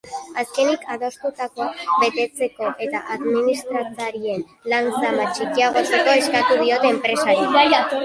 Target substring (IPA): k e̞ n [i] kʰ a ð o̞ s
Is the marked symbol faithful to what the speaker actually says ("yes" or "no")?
yes